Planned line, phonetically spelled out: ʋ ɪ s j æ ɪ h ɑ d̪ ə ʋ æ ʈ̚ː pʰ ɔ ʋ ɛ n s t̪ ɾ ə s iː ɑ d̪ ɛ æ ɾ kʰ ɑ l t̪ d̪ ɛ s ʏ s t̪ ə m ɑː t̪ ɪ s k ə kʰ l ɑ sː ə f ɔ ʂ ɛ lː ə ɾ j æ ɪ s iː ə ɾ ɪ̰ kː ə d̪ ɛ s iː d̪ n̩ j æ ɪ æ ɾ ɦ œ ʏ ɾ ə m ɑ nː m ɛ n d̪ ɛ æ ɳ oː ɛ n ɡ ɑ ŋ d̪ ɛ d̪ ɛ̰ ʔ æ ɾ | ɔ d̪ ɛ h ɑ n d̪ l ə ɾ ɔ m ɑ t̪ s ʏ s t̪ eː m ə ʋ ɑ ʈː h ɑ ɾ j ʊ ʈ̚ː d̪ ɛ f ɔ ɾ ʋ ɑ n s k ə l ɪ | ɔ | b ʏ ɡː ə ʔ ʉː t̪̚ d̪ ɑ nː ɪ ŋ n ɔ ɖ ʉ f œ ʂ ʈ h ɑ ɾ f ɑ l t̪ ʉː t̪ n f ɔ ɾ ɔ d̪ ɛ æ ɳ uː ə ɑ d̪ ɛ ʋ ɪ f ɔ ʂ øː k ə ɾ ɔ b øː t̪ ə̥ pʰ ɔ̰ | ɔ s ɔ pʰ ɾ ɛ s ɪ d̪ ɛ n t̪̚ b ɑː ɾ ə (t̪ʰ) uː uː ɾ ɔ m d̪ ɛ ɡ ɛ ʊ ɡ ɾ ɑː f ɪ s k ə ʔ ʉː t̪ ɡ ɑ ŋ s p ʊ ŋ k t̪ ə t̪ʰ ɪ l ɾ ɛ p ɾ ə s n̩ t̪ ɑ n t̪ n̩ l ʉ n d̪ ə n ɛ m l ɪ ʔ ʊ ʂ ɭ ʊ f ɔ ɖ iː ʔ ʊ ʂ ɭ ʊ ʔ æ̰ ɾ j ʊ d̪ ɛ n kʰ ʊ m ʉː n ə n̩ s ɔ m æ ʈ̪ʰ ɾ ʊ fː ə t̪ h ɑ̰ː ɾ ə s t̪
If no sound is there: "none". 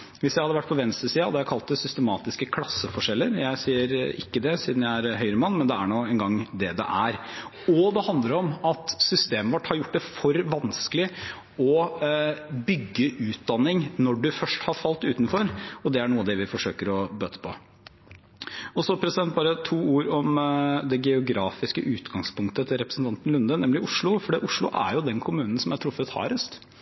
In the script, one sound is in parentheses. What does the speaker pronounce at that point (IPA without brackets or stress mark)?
t̪ʰ